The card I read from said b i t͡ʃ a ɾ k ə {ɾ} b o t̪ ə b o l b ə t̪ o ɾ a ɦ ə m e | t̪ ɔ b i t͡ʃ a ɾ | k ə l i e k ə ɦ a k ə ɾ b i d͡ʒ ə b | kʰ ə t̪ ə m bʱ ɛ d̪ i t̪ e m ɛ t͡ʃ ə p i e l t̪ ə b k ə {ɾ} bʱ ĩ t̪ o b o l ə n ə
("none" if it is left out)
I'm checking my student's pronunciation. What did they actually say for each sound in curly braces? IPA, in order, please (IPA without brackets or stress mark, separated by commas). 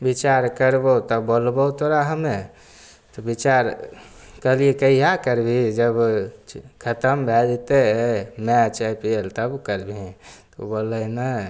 ɾ, ɾ